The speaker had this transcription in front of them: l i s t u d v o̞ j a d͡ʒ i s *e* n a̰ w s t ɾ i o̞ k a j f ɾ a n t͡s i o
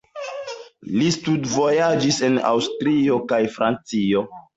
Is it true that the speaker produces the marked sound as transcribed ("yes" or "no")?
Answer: yes